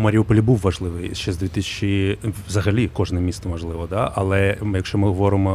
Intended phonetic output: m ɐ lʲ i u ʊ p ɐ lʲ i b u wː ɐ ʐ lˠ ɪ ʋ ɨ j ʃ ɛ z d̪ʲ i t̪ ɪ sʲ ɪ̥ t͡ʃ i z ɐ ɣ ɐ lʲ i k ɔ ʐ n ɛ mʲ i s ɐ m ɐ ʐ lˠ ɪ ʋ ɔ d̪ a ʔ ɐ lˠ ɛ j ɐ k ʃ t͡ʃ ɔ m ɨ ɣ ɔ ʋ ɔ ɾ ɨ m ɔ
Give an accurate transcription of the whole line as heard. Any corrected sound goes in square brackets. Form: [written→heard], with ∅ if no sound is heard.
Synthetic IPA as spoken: m ɐ [lʲ→ɾʲ] i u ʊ p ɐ lʲ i b u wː ɐ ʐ lˠ ɪ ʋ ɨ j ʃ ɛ z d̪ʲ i t̪ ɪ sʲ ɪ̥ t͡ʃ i z ɐ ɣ ɐ lʲ i k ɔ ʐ n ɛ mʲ i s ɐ m ɐ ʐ lˠ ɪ ʋ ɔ d̪ a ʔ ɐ lˠ ɛ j ɐ k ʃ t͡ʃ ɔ m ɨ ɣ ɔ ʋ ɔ ɾ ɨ m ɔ